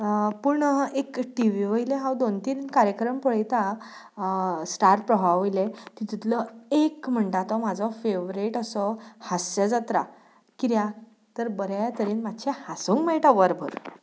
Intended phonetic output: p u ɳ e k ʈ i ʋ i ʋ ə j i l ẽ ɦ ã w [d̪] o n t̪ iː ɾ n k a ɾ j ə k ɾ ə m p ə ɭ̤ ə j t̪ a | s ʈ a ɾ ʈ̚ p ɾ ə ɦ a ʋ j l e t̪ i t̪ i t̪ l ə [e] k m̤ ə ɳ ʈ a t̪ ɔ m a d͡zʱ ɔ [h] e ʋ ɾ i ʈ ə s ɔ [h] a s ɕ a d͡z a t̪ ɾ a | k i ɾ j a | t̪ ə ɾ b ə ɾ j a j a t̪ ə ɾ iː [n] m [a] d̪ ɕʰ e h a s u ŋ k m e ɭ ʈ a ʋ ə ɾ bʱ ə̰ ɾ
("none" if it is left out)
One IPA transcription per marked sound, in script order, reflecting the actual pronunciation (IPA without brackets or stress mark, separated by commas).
d̪, e, f, h, n, a